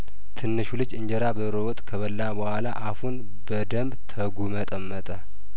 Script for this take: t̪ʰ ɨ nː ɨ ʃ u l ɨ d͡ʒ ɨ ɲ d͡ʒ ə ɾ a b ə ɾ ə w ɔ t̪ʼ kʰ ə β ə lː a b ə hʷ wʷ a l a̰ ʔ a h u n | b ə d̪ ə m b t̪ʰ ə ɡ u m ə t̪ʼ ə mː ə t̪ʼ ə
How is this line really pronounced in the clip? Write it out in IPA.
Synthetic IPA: t̪ʰ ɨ nː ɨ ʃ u l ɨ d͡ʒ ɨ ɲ d͡ʒ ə ɾ a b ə ɾ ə w ɔ t̪ʼ kʰ ə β ə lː a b ə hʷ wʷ a l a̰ ʔ a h u n | b ə d̪ ə m b t̪ʰ ə ɡ u m ə t̪ʼ ə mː ə t̪ʼ ə